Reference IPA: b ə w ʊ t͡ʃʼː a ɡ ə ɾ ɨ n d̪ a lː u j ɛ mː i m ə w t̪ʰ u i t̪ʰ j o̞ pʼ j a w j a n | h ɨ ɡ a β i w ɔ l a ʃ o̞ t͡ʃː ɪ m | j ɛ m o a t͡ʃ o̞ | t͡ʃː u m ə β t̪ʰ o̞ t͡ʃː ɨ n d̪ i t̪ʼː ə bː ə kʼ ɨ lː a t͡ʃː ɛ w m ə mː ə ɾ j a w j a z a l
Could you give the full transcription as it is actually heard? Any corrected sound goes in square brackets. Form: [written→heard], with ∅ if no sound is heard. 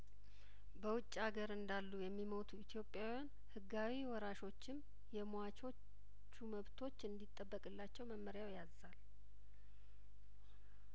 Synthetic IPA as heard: b ə w ʊ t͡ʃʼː a ɡ ə ɾ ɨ n d̪ a lː u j ɛ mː i m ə w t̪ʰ u i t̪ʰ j o̞ pʼ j a w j a n | h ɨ ɡ a [β→w] i w ɔ [l→ɾ] a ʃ o̞ t͡ʃː ɪ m | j ɛ m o a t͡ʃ o̞ | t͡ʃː u m ə β t̪ʰ o̞ t͡ʃː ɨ n d̪ i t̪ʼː ə bː ə kʼ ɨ lː a t͡ʃː ɛ w m ə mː ə ɾ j a w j a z a l